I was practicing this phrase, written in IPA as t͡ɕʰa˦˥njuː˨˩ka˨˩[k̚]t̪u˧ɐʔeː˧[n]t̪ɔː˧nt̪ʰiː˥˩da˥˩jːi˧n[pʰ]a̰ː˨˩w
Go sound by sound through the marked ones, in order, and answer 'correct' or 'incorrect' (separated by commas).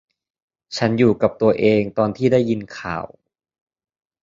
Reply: incorrect, incorrect, incorrect